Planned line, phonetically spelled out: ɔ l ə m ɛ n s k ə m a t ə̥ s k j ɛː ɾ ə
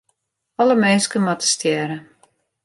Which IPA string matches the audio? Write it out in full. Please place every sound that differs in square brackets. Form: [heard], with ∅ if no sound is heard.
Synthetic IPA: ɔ l ə m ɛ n s k ə m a t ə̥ s [t] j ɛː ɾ ə